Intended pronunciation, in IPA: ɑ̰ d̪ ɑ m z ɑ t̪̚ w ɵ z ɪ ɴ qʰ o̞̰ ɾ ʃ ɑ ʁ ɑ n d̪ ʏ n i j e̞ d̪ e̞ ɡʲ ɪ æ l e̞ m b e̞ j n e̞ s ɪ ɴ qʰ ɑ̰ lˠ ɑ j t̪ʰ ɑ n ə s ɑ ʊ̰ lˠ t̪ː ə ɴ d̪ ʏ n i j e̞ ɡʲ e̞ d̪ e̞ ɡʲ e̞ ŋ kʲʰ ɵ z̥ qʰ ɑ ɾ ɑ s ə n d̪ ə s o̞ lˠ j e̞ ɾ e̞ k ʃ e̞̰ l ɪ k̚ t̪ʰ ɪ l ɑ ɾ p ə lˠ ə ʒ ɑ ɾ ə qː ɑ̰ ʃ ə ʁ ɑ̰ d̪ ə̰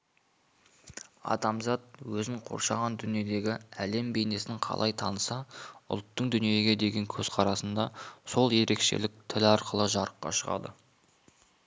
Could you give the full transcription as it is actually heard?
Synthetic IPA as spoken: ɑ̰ d̪ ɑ m z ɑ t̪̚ w ɵ z ɪ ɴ qʰ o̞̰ ɾ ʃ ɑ ʁ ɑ n d̪ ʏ n i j e̞ d̪ e̞ ɡʲ ɪ æ l e̞ m b e̞ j n e̞ s ɪ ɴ qʰ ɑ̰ lˠ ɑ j t̪ʰ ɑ n ə s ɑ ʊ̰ lˠ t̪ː ə ɴ d̪ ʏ n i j e̞ ɡʲ e̞ d̪ e̞ ɡʲ e̞ ŋ kʲʰ ɵ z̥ qʰ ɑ ɾ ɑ s ə n d̪ ɑ s o̞ lˠ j e̞ ɾ e̞ k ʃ e̞̰ l ɪ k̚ t̪ʰ ɪ l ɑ ɾ q ə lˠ ə ʒ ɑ ɾ ə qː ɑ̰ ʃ ə ʁ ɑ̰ d̪ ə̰

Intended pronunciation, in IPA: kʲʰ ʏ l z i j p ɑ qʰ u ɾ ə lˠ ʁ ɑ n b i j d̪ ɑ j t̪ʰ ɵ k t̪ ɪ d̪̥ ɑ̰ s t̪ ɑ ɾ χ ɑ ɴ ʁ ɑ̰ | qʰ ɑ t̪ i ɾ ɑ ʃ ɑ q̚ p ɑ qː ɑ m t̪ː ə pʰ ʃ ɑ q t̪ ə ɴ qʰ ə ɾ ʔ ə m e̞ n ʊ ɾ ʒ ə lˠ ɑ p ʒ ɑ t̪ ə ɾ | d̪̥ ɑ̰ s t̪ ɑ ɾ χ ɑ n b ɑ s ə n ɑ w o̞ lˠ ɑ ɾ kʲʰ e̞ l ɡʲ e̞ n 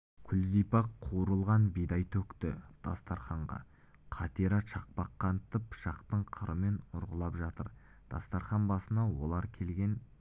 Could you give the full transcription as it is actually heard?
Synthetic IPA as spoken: kʲʰ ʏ l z i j p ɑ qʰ u ɾ ə lˠ ʁ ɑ n b i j d̪ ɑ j t̪ʰ ɵ k t̪ ɪ d̪̥ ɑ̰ s t̪ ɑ ɾ χ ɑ ɴ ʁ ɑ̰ | qʰ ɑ t̪ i ɾ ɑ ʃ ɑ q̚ p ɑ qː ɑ n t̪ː ə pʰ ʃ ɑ q t̪ ə ɴ qʰ ə ɾ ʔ ə m e̞ n ʊ ɾ ʁ ə lˠ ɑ p ʒ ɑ t̪ ə ɾ | d̪̥ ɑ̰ s t̪ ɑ ɾ χ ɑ n b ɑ s ə n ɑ w o̞ lˠ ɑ ɾ kʲʰ e̞ l ɡʲ e̞ n

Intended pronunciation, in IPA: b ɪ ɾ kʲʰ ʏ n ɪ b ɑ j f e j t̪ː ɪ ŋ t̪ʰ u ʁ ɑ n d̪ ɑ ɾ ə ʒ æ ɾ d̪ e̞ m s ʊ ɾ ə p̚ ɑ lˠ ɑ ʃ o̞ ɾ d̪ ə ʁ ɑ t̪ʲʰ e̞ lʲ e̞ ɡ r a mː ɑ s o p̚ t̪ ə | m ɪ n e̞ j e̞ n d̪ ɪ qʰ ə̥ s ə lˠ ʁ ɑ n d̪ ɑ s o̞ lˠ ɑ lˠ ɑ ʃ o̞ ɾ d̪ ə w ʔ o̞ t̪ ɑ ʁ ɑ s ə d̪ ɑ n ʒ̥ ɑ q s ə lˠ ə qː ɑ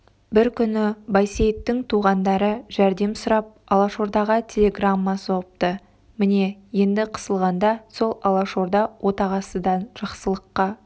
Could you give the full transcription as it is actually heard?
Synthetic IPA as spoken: b ɪ ɾ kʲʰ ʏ n ɪ b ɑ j s e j t̪ː ɪ ŋ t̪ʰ u ʁ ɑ n d̪ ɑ ɾ ə ʒ æ ɾ d̪ e̞ m s ʊ ɾ ɑ p̚ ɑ lˠ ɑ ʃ o̞ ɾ d̪ ɑ ʁ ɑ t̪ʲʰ e̞ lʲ e̞ ɡ r a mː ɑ s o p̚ t̪ ə | m ɪ n e̞ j e̞ n d̪ ɪ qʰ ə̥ s ə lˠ ʁ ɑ n d̪ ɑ s o̞ lˠ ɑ lˠ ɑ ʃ o̞ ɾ d̪ ɑ w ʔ o̞ t̪ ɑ ʁ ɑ s ə d̪ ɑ n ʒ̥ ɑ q s ə lˠ ə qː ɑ

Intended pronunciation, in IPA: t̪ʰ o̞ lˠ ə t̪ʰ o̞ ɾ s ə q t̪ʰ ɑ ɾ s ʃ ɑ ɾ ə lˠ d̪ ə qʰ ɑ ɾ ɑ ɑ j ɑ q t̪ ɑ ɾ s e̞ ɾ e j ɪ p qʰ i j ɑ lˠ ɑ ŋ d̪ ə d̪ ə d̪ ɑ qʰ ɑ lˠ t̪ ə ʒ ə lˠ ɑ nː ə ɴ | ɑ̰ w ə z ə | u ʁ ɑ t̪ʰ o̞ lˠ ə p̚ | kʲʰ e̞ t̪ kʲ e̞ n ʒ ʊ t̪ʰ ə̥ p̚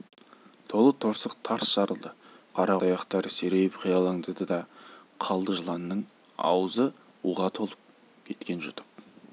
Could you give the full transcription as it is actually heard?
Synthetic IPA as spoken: t̪ʰ o̞ lˠ ə t̪ʰ o̞ ɾ s ə q t̪ʰ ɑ ɾ s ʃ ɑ ɾ ə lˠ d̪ ə qʰ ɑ ɾ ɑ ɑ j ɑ q t̪ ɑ ɾ s e̞ ɾ e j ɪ p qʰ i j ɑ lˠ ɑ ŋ d̪ ə d̪ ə d̪ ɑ qʰ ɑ lˠ d̪ ə ʒ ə lˠ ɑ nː ə ɴ | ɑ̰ w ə z ə | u ʁ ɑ t̪ʰ o̞ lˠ ə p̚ | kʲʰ e̞ t̪ kʲ e̞ n ʒ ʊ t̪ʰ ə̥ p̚

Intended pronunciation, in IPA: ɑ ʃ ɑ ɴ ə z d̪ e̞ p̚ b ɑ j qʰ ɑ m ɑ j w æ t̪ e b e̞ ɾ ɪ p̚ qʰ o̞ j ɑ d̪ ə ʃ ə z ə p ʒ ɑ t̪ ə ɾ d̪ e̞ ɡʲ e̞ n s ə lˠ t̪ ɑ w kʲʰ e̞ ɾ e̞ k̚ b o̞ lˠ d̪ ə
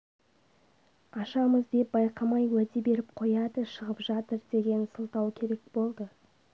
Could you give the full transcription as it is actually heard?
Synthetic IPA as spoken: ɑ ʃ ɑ m ə z d̪ e̞ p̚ b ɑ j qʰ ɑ m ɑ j w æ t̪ e b e̞ ɾ ɪ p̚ qʰ o̞ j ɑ d̪ ə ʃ ə ʁ ə p ʒ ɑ t̪ ə ɾ d̪ e̞ ɡʲ e̞ n s ə lˠ t̪ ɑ w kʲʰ e̞ ɾ e̞ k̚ b o̞ lˠ d̪ ə

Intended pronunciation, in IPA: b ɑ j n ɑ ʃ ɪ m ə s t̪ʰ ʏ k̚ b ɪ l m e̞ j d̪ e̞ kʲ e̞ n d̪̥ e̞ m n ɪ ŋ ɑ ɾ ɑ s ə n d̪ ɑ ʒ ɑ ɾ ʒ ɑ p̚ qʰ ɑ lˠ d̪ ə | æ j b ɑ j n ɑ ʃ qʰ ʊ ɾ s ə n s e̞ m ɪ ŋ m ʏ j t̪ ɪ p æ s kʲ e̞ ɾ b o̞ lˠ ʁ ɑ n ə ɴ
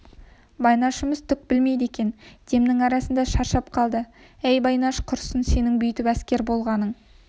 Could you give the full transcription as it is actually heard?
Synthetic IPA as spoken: b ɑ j n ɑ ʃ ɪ m ə z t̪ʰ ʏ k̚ b ɪ l m e̞ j d̪ e̞ kʲ e̞ n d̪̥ e̞ m n ɪ ŋ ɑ ɾ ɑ s ə n d̪ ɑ ʃ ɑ ɾ ʃ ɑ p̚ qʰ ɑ lˠ d̪ ə | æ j b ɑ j n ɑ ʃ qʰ ʊ ɾ s ə n s e̞ n ɪ ŋ b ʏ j t̪ ɪ p æ s kʲ e̞ ɾ b o̞ lˠ ʁ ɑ n ə ɴ

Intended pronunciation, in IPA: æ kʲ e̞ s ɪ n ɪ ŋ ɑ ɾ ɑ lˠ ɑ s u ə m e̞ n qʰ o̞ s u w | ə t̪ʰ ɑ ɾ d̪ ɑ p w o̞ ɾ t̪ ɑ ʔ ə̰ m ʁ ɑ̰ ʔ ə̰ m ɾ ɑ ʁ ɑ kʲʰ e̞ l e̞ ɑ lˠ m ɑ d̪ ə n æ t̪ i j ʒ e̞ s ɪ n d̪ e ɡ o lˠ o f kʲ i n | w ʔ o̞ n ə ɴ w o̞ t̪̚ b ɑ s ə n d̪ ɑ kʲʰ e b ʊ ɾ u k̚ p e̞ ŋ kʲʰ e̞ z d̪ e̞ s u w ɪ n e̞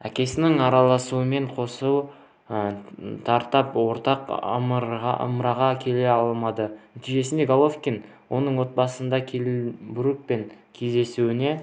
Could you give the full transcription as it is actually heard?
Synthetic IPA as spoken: æ kʲ e̞ s ɪ n ɪ ŋ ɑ ɾ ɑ lˠ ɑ s u ə m e̞ ɴ qʰ o̞ s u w | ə t̪ʰ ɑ ɾ t̪ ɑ p w o̞ ɾ t̪ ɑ q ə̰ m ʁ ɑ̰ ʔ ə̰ m ɾ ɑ ʁ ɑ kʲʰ e̞ l e̞ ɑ lˠ m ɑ d̪ ə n æ t̪ i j ʒ e̞ s ɪ n d̪ e ɡ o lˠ o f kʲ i n | w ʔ o̞ n ə ɴ w o̞ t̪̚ b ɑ s ə n d̪ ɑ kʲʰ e b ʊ ɾ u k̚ p e̞ ŋ kʲʰ e̞ z d̪ e̞ s u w ɪ n e̞

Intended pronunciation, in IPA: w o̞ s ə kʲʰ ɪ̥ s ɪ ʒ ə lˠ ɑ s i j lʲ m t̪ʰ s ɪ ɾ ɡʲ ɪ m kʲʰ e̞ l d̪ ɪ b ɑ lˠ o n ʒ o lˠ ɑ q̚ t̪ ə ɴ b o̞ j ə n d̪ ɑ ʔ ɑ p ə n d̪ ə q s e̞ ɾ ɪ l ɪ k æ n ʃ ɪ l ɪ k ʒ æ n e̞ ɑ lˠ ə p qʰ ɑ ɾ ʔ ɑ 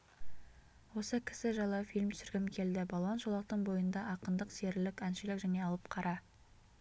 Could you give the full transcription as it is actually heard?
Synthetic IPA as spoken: w o̞ s ə kʲʰ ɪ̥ s ɪ ʒ ɑ lˠ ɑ f i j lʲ m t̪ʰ s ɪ ɾ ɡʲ ɪ m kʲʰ e̞ l d̪ ɪ b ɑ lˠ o n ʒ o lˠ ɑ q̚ t̪ ə ɴ b o̞ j ə n d̪ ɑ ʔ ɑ q ə n d̪ ə q s e̞ ɾ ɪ l ɪ k æ n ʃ ɪ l ɪ k ʒ æ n e̞ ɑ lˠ ə p qʰ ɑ ɾ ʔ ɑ

